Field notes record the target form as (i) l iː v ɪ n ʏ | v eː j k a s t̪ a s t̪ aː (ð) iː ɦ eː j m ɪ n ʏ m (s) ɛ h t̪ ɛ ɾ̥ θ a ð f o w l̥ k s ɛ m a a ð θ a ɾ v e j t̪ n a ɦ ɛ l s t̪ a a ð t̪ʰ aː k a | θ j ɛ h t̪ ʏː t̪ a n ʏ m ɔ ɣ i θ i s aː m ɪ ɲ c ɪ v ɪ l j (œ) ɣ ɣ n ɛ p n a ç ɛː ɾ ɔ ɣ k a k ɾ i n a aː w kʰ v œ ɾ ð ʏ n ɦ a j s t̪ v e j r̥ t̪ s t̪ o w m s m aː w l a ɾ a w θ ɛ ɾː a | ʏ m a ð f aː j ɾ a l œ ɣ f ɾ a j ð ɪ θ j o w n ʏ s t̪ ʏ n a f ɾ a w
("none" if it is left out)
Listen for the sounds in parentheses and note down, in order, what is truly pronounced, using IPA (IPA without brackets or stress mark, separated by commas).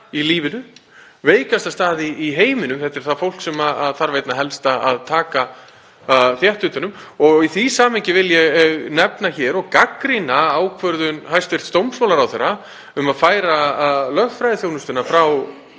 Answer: i, ð, θ, ɛ